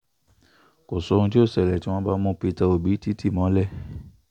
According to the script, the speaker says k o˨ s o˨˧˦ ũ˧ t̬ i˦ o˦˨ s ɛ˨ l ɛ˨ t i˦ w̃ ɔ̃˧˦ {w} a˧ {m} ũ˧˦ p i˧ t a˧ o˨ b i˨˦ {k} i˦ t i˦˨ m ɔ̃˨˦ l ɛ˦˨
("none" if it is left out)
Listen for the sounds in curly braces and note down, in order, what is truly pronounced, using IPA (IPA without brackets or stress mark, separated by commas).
b, m, t